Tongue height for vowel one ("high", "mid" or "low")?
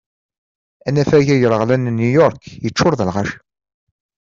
low